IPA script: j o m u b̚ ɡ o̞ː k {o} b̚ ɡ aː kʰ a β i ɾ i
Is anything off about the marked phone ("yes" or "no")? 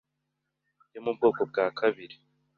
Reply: no